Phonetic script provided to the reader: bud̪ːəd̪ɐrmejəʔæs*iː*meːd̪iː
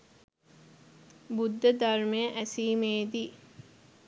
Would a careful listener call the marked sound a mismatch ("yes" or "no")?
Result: no